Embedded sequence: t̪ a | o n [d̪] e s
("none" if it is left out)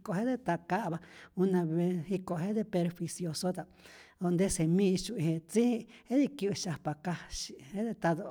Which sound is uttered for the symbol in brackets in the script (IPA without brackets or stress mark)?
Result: d̪